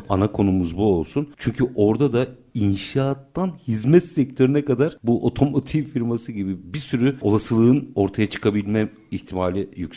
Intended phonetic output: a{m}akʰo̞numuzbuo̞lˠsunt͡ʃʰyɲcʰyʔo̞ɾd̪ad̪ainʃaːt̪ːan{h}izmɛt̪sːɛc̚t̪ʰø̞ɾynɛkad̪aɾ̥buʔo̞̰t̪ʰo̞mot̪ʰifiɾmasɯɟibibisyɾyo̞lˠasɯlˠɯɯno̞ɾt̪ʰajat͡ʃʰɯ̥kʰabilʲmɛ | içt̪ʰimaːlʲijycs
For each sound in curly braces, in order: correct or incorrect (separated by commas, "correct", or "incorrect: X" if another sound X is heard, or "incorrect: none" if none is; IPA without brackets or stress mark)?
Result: incorrect: n, correct